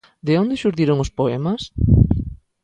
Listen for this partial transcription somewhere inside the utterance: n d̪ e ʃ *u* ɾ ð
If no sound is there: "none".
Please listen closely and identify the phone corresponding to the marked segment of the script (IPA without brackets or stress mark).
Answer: u